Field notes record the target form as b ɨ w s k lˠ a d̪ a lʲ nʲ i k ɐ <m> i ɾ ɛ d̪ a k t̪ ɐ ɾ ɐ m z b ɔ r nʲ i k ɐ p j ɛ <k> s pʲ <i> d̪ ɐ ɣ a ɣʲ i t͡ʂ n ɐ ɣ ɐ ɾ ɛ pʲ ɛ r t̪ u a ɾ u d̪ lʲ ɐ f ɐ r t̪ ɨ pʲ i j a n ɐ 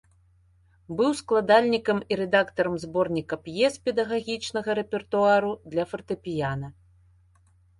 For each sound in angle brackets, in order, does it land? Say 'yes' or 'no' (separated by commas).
yes, no, no